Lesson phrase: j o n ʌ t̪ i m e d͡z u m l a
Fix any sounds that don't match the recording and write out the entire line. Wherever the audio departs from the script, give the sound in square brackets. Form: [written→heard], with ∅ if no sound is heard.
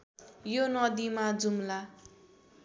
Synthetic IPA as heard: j o n ʌ [t̪→d̪] i m [e→a] d͡z u m l a